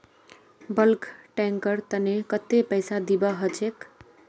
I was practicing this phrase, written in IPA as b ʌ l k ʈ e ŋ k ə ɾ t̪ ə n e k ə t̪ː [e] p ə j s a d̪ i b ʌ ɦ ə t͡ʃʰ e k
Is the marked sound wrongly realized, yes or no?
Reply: no